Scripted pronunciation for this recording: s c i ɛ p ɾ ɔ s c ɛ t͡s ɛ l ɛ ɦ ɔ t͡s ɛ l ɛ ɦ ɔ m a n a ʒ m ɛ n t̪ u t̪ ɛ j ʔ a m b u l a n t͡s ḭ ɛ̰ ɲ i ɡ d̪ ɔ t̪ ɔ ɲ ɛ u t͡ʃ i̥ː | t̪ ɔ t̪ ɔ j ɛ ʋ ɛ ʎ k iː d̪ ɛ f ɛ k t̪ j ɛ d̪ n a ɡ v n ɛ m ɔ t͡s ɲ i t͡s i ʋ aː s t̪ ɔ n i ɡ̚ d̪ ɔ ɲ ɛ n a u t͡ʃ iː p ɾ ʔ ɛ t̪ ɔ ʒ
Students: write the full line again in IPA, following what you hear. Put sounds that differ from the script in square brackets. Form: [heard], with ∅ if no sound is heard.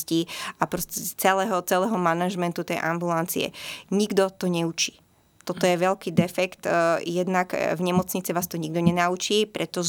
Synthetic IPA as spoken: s c i [a] p ɾ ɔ s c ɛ t͡s ɛ l ɛ ɦ ɔ t͡s ɛ l ɛ ɦ ɔ m a n a ʒ m ɛ n t̪ u t̪ ɛ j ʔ a m b u l a n t͡s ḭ ɛ̰ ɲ i ɡ d̪ ɔ t̪ ɔ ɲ ɛ u t͡ʃ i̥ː | t̪ ɔ t̪ ɔ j ɛ ʋ ɛ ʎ k iː d̪ ɛ f ɛ k t̪ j ɛ d̪ n a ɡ v [ɲ] ɛ m ɔ t͡s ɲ i t͡s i ʋ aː s t̪ ɔ [ɲ] i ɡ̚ d̪ ɔ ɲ ɛ n a u t͡ʃ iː p ɾ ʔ ɛ t̪ ɔ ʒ